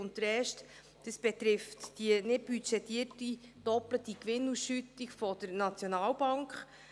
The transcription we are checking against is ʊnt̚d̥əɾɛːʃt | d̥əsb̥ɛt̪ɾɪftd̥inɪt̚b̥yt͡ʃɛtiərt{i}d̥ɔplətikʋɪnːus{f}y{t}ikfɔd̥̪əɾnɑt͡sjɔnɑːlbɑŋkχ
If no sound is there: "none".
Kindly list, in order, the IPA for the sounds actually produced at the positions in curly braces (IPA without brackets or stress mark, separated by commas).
i, ʃ, t